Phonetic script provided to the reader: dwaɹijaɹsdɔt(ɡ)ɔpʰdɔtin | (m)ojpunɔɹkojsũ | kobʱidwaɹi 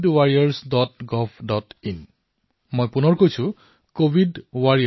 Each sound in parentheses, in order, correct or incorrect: correct, correct

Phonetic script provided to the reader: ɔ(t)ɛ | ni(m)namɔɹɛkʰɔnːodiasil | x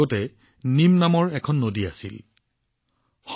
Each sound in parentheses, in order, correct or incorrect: correct, correct

